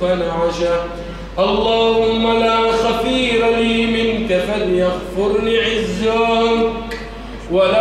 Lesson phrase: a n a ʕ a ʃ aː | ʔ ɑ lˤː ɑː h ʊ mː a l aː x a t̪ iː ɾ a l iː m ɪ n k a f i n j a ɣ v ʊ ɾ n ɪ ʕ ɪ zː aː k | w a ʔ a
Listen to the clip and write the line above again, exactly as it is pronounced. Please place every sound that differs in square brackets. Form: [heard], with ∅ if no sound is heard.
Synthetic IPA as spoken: a n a ʕ a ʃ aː | ʔ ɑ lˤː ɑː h ʊ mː a l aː x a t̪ iː ɾ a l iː m ɪ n k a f [a] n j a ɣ [f] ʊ ɾ n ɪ ʕ ɪ zː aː k | w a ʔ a